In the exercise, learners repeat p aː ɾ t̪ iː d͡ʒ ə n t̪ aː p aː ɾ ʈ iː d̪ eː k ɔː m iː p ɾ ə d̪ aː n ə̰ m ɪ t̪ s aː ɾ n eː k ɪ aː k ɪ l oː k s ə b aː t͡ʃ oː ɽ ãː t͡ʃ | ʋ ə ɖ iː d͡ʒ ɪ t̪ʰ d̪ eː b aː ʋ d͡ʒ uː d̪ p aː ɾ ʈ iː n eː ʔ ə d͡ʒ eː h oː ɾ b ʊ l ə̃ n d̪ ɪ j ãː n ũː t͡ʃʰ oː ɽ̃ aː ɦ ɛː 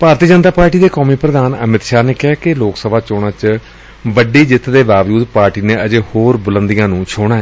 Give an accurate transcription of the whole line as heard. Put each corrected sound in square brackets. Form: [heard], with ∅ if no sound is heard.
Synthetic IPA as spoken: p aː ɾ t̪ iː d͡ʒ ə n t̪ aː p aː ɾ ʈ iː d̪ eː k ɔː m iː p ɾ ə d̪ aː n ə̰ m ɪ t̪ [ʃ] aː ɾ n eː k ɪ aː k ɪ l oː k s ə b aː t͡ʃ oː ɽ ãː t͡ʃ | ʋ ə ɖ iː d͡ʒ ɪ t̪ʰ d̪ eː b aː ʋ d͡ʒ uː d̪ p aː ɾ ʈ iː n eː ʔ ə d͡ʒ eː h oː ɾ b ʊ l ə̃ n d̪ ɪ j ãː n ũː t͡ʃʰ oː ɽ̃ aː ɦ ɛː